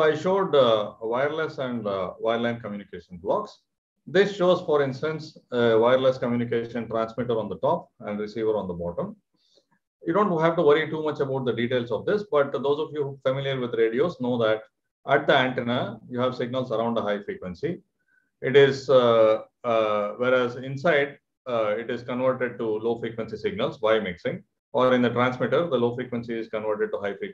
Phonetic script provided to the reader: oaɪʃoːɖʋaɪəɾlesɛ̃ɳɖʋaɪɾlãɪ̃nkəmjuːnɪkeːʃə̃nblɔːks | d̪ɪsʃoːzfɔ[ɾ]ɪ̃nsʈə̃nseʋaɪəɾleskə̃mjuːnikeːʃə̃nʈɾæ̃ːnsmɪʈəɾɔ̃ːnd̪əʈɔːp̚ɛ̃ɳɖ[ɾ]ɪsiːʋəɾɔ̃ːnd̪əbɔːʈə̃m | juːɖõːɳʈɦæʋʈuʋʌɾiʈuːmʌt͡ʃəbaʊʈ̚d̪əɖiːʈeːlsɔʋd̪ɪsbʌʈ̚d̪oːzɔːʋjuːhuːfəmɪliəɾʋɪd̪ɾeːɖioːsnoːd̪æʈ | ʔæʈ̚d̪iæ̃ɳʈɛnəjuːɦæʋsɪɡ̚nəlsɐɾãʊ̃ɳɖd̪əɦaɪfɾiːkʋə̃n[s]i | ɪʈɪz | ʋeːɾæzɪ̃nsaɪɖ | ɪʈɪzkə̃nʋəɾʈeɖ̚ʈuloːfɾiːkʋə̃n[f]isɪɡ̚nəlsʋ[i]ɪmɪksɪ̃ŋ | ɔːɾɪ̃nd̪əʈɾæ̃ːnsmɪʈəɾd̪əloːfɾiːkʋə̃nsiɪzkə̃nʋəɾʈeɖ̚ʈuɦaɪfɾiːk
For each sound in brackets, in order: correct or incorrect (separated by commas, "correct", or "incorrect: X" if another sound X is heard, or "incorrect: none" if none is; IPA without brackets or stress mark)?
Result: correct, correct, correct, incorrect: s, incorrect: a